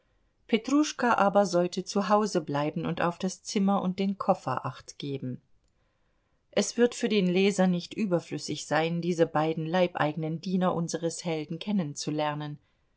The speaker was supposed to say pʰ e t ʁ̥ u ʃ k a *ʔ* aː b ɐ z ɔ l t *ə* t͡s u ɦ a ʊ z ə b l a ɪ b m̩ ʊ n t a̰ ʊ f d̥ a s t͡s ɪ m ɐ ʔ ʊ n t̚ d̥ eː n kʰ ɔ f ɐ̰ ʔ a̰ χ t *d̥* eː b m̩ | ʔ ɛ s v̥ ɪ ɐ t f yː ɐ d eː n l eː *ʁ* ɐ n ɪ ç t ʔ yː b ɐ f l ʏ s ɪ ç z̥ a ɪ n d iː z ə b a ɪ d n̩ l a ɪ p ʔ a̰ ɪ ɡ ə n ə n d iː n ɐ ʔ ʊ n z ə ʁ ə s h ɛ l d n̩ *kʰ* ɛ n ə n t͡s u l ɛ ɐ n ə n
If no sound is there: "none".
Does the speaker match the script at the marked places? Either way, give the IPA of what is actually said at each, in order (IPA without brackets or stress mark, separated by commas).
ʔ, ə, ɡ̥, z, kʰ